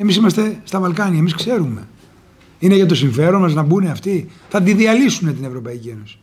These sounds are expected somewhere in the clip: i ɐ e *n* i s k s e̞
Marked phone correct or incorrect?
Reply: incorrect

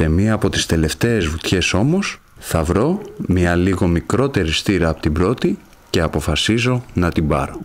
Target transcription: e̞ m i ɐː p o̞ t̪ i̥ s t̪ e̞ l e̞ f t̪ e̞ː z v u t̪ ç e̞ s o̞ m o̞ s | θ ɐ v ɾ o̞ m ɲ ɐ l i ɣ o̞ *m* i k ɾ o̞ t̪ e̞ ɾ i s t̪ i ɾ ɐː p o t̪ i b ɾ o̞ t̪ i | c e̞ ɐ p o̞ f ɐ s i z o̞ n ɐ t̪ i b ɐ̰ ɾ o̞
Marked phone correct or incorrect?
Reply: correct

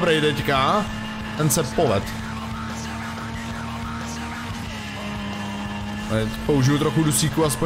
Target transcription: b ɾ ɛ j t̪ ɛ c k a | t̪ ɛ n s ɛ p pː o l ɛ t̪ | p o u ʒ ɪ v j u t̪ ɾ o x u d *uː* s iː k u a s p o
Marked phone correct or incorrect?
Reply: incorrect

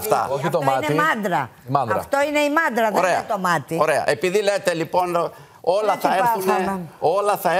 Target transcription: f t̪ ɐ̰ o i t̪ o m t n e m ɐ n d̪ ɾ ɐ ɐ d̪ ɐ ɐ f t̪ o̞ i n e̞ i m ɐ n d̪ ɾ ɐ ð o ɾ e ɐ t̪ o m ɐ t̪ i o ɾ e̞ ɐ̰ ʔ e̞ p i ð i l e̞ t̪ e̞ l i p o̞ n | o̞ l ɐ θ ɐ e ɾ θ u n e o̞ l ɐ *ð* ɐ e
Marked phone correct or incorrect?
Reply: incorrect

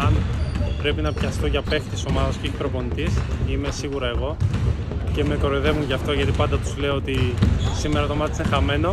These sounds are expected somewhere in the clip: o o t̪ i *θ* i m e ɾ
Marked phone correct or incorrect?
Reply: incorrect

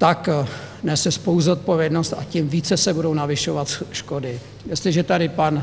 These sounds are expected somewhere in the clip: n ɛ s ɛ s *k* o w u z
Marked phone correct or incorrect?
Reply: incorrect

